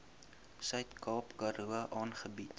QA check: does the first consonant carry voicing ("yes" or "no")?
no